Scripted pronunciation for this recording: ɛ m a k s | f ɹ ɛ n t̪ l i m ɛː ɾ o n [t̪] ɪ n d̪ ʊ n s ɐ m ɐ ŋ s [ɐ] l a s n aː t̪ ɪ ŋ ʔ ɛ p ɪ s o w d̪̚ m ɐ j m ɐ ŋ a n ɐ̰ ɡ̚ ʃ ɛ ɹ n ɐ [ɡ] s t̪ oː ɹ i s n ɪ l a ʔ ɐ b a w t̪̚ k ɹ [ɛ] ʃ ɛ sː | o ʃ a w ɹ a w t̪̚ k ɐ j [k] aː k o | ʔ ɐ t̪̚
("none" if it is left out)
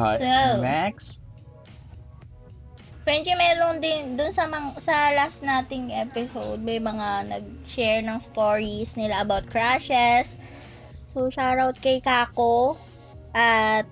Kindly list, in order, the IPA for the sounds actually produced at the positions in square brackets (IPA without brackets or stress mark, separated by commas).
d̪, ɐ, ŋ, a, k